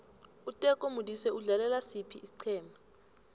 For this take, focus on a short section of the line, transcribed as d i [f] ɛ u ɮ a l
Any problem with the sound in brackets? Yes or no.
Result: yes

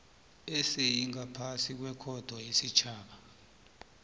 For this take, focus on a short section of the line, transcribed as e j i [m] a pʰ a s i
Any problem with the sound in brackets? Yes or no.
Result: yes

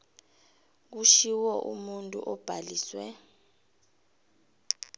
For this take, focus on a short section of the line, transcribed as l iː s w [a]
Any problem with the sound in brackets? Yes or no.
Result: yes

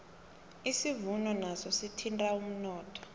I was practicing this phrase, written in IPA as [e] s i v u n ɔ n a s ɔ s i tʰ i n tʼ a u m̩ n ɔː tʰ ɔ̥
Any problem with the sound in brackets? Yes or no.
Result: yes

